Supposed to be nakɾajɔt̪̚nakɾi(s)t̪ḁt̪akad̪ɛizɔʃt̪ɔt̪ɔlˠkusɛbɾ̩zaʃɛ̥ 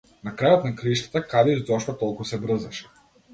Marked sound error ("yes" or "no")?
yes